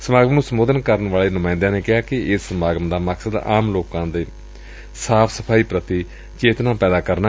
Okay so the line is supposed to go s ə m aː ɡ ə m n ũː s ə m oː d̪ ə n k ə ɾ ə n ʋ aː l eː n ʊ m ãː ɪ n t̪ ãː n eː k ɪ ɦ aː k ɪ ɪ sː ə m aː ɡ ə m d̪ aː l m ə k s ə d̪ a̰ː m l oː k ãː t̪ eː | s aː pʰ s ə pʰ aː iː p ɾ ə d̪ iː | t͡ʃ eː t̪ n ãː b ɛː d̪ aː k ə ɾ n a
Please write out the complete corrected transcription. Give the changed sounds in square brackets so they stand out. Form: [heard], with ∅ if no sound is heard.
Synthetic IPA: s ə m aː ɡ ə m n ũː s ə m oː d̪ ə n k ə ɾ ə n ʋ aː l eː n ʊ m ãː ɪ n [d̪] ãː n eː k ɪ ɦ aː k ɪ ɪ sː ə m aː ɡ ə m d̪ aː [∅] m ə k s ə d̪ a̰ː m l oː k ãː [d̪] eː | s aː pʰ s ə pʰ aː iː p ɾ ə [t̪] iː | t͡ʃ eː t̪ n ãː [p] ɛː d̪ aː k ə ɾ n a